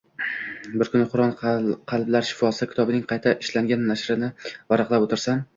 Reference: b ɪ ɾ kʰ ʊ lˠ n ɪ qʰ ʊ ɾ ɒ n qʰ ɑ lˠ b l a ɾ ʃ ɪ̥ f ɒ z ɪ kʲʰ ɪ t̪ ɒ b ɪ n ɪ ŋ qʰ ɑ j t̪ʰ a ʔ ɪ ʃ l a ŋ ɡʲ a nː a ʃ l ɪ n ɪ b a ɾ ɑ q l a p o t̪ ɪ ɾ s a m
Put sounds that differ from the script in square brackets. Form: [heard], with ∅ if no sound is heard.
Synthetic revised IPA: b ɪ ɾ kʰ ʊ [∅] n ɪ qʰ ʊ ɾ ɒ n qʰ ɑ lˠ b l a ɾ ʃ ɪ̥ f ɒ [s] ɪ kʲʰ ɪ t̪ ɒ b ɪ n ɪ ŋ qʰ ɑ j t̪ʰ a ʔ ɪ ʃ l a ŋ ɡʲ a nː a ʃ [ɾ] ɪ n ɪ [v] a ɾ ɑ q l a p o t̪ ɪ ɾ s a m